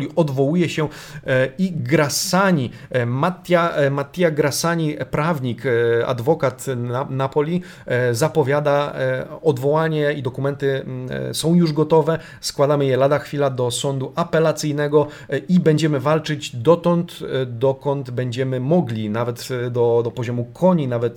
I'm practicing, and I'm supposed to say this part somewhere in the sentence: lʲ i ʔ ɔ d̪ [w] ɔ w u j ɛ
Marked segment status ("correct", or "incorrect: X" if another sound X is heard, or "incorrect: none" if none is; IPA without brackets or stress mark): incorrect: v